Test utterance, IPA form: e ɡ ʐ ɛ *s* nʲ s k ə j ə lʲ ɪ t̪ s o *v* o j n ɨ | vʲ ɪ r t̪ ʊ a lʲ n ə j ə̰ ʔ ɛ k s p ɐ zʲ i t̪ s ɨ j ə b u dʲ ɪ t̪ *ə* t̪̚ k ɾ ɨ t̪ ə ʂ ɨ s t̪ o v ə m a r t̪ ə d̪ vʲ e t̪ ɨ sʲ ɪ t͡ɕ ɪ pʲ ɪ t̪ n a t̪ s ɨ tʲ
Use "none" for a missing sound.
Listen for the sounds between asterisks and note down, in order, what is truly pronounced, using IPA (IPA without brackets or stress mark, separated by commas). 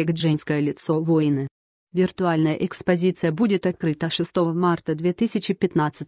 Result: none, v, ɐ